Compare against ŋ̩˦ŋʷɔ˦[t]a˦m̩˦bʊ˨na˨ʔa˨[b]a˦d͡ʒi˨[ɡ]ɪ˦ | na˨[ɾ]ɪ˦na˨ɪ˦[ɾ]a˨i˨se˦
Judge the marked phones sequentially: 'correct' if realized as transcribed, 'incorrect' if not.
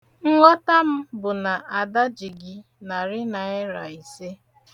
correct, incorrect: d, correct, correct, correct

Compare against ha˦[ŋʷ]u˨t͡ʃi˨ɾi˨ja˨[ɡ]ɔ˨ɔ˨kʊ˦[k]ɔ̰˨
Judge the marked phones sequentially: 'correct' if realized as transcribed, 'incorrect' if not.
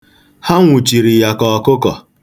correct, incorrect: k, correct

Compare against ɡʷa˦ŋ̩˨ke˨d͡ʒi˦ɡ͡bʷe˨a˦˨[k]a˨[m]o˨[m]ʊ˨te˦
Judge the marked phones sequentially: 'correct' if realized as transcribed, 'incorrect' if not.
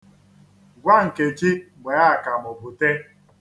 correct, correct, incorrect: b

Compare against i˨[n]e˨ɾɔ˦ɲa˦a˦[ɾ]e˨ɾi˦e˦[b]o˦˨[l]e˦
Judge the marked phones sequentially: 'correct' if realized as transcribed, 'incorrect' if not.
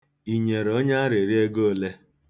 incorrect: ɲ, correct, incorrect: ɡ, correct

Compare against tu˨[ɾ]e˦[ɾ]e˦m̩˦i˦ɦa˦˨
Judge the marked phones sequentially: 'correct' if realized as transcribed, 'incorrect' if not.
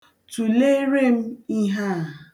incorrect: l, correct

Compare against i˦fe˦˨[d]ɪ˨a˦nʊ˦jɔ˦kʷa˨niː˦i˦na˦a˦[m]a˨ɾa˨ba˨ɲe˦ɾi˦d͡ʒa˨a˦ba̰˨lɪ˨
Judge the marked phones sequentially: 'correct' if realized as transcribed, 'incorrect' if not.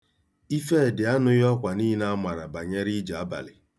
correct, correct

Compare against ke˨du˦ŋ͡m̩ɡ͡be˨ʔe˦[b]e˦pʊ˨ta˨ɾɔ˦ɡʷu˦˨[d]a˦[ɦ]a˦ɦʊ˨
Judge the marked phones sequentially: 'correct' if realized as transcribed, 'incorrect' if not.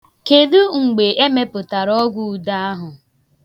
incorrect: m, correct, incorrect: none

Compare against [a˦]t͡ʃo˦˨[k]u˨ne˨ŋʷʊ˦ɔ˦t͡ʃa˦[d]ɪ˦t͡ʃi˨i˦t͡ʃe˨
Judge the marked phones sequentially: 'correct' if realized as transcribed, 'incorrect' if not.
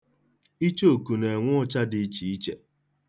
incorrect: i˦, correct, correct

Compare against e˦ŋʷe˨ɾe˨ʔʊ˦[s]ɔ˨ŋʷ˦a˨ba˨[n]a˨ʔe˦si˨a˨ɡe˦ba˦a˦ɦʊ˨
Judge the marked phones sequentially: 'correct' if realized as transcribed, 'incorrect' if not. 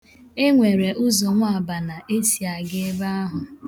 incorrect: z, correct

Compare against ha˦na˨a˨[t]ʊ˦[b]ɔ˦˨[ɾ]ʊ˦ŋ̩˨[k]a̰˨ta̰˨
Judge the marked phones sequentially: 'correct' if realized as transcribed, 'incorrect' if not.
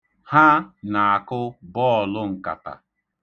incorrect: k, correct, incorrect: l, correct

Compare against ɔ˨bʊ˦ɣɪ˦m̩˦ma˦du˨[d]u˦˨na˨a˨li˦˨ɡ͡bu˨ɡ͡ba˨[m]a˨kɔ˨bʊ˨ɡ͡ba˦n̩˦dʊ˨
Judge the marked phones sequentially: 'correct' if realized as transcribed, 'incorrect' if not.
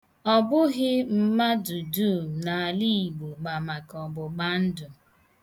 correct, correct

